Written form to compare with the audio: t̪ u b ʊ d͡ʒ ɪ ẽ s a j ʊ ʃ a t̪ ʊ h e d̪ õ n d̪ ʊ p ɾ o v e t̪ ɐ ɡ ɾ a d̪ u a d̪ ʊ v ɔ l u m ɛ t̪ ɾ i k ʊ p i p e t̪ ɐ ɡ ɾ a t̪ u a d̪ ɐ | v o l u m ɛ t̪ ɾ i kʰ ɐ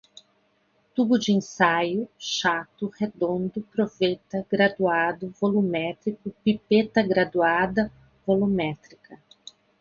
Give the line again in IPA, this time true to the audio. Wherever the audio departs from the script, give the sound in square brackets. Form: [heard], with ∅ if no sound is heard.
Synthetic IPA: t̪ u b ʊ d͡ʒ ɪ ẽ s a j ʊ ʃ a t̪ ʊ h e d̪ õ n d̪ ʊ p ɾ o v e t̪ ɐ ɡ ɾ a d̪ u a d̪ ʊ v [o] l u m ɛ t̪ ɾ i k ʊ p i p e t̪ ɐ ɡ ɾ a [d̪] u a d̪ ɐ | v o l u m ɛ t̪ ɾ i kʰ ɐ